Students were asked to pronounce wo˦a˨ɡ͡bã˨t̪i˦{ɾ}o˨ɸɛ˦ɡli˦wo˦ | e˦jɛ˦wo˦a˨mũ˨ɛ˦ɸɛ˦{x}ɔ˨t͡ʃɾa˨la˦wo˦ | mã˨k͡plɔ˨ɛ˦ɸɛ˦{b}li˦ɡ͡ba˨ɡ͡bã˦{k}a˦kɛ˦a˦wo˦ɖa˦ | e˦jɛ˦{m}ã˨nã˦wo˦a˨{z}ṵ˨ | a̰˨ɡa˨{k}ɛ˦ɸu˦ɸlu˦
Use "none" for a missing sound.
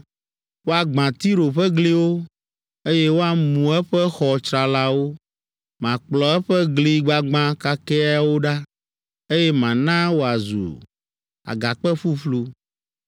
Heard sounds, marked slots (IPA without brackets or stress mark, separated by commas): ɾ, x, ɡ, k, m, z, k͡p